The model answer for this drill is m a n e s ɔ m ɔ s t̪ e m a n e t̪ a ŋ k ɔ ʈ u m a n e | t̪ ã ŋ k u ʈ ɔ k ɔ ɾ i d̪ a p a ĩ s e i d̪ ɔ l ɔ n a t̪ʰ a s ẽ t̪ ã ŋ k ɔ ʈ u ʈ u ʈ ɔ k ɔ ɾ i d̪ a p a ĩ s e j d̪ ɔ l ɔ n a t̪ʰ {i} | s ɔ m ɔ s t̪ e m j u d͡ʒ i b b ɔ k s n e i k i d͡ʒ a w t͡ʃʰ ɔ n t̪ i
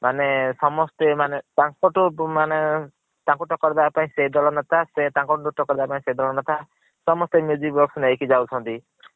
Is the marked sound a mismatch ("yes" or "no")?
yes